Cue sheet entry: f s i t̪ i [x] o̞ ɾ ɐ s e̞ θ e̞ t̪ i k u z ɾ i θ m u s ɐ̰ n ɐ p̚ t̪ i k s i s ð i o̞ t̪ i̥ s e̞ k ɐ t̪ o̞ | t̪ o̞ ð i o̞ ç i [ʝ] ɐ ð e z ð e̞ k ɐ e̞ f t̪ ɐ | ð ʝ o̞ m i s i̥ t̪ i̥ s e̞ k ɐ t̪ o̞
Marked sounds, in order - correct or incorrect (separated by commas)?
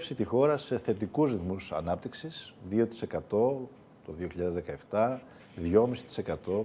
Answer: correct, incorrect